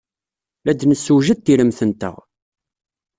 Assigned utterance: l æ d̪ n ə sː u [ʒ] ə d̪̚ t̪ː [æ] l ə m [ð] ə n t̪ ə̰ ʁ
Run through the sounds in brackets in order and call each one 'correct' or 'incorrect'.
correct, incorrect: i, incorrect: θ

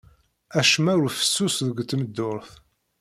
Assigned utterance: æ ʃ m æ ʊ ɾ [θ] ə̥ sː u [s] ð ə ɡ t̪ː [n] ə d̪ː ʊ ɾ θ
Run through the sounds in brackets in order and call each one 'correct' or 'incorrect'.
incorrect: f, correct, incorrect: m

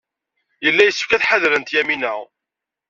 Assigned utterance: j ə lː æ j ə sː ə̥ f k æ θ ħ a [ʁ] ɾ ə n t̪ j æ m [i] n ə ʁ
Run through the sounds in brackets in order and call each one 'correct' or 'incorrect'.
incorrect: ð, correct

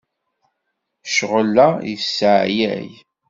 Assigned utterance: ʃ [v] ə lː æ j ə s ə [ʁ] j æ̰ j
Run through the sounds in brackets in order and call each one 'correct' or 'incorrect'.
incorrect: ʁ, incorrect: ʕ

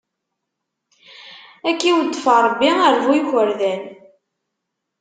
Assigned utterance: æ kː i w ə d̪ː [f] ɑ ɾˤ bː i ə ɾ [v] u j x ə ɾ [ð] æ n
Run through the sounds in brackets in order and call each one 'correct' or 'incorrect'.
correct, correct, correct

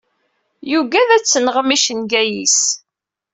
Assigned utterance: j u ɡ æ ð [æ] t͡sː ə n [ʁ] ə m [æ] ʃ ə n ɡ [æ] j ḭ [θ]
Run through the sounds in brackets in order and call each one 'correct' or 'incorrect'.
correct, correct, incorrect: i, correct, incorrect: s

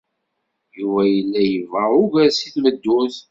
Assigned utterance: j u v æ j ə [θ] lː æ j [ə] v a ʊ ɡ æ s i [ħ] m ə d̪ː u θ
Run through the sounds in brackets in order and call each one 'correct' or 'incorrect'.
incorrect: none, correct, incorrect: θ

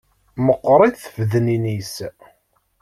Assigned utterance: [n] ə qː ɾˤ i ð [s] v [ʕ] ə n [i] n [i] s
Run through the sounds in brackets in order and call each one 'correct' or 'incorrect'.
incorrect: m, incorrect: θ, incorrect: ð, correct, correct

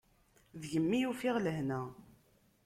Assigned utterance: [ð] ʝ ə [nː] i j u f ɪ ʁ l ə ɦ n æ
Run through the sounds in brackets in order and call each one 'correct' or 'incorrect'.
correct, incorrect: mː

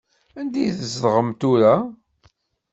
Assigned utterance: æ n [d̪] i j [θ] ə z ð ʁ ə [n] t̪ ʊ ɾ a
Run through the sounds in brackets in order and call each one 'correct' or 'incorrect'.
correct, correct, incorrect: m

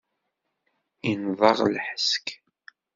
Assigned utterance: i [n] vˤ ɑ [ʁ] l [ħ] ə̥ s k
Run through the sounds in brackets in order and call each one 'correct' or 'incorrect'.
correct, correct, correct

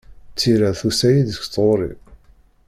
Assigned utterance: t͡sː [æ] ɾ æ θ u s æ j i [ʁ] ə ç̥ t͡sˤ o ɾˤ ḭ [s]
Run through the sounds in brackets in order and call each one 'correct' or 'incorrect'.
incorrect: i, incorrect: ð, incorrect: none

